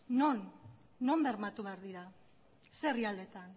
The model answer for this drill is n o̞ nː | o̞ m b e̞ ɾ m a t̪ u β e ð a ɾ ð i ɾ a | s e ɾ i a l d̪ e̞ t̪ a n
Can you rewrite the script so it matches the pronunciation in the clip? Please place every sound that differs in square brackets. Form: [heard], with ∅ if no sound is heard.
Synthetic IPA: n o̞ nː | o̞ m b e̞ ɾ m a t̪ u β e [∅] a ɾ ð i ɾ a | s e [r] i a l d̪ e̞ t̪ a n